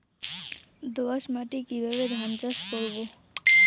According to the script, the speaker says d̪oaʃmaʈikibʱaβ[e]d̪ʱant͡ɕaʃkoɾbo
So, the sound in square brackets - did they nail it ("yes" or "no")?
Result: yes